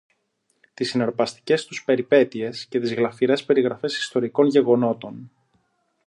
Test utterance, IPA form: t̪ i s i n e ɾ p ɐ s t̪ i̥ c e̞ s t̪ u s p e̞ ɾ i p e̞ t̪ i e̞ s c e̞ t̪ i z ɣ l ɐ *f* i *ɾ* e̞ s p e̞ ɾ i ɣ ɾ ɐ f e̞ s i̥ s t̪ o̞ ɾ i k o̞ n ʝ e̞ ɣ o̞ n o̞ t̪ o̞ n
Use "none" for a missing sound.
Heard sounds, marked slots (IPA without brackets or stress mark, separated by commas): f, ɾ